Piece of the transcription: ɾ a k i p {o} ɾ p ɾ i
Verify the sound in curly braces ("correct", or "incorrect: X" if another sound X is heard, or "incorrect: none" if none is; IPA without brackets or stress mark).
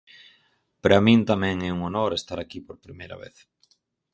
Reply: correct